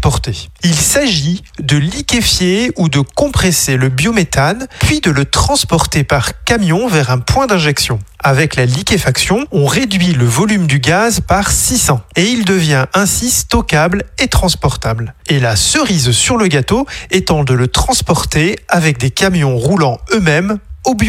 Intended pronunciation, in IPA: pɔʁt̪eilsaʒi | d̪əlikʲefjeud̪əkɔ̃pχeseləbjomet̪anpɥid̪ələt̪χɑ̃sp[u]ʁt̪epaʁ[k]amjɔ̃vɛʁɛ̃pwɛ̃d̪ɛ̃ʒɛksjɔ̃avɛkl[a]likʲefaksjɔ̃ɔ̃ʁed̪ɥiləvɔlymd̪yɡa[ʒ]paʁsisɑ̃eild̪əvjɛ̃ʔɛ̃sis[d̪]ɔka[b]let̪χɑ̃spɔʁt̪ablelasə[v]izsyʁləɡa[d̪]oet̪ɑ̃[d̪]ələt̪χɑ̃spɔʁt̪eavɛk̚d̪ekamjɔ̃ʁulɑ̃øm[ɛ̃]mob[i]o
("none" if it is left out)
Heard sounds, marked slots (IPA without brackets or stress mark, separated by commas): ɔ, k, a, z, t̪, b, ʁ, t̪, d̪, ɛ, j